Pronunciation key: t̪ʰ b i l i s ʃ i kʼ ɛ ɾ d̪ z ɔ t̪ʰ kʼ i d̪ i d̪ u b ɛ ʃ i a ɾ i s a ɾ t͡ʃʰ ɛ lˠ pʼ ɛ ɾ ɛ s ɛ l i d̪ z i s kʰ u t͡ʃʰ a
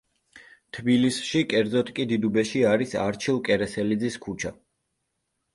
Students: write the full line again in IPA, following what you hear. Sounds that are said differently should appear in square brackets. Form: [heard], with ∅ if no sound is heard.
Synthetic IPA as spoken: t̪ʰ b i l i s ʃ i kʼ ɛ ɾ d̪ z ɔ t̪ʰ kʼ i d̪ i d̪ u b ɛ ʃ i a ɾ i s a ɾ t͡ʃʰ [i] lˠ [kʼ] ɛ ɾ ɛ s ɛ l i d̪ z i s kʰ u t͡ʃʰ a

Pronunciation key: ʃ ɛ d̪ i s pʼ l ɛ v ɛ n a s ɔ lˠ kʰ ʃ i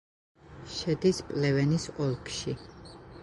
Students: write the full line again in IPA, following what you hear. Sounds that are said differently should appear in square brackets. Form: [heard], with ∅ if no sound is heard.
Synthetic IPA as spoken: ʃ ɛ d̪ i s pʼ l ɛ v ɛ n [i] s ɔ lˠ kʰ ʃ i

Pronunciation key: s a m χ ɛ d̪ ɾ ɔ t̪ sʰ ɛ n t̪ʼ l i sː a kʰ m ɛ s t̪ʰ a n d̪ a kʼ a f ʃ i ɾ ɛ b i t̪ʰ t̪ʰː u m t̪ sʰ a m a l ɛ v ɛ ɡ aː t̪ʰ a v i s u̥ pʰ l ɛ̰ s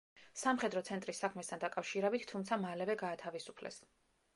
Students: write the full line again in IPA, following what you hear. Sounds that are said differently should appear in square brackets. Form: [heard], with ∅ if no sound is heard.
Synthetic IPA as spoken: s a m χ ɛ d̪ ɾ ɔ t̪ sʰ ɛ n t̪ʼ [ɾ] i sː a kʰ m ɛ s t̪ʰ a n d̪ a kʼ a f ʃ i ɾ ɛ b i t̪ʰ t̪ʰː u m t̪ sʰ a m a l ɛ v ɛ ɡ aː t̪ʰ a v i s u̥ pʰ l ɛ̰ s

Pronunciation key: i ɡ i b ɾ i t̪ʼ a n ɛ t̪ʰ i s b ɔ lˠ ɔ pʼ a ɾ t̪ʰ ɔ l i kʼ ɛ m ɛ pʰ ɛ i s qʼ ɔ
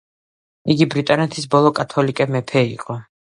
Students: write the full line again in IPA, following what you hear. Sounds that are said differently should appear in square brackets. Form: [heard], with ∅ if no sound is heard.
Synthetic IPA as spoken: i ɡ i b ɾ i t̪ʼ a n ɛ t̪ʰ i s b ɔ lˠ ɔ [kʼ] a [∅] t̪ʰ ɔ l i kʼ ɛ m ɛ pʰ ɛ i [∅] qʼ ɔ

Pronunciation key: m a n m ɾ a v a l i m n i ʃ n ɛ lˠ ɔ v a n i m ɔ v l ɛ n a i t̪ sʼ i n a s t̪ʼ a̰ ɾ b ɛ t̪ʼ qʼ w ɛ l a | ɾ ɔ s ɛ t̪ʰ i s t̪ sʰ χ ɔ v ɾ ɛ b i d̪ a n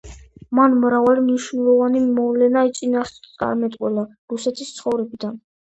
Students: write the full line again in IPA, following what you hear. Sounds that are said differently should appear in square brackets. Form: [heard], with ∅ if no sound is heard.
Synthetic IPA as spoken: m a n m ɾ a v a l i m n i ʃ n ɛ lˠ ɔ v a n i m ɔ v l ɛ n a i t̪ sʼ i n a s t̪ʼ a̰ ɾ [m] ɛ t̪ʼ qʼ w ɛ l a | ɾ [u] s ɛ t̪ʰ i s t̪ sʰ χ ɔ v ɾ ɛ b i d̪ a n

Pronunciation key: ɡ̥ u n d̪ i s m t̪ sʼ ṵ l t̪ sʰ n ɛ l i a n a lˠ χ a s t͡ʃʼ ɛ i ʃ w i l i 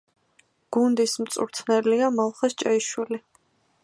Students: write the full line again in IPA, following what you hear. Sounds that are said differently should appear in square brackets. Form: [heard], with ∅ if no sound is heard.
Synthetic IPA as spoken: ɡ̥ u n d̪ i s m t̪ sʼ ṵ [ɾ] t̪ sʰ n ɛ l i a [m] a lˠ χ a s t͡ʃʼ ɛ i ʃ w i l i

